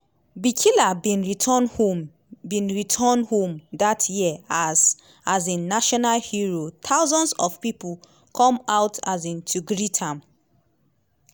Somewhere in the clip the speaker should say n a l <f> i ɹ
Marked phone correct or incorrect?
incorrect